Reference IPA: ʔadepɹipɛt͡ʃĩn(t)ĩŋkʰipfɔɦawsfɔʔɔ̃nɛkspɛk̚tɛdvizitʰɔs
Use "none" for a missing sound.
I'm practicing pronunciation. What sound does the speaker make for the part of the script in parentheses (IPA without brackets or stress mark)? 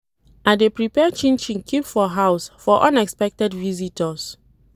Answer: t͡ʃ